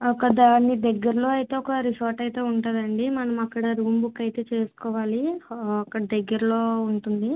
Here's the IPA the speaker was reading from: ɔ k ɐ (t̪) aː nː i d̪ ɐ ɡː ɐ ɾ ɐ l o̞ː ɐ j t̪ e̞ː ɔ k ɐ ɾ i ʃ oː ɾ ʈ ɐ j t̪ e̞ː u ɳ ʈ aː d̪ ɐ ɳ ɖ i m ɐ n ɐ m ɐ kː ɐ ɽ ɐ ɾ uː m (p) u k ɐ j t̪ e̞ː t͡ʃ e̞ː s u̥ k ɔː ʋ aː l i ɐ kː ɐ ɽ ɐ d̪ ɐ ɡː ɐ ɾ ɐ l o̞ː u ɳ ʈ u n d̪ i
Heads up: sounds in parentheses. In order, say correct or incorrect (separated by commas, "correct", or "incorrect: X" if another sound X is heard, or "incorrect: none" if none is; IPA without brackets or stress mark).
incorrect: d̪, incorrect: b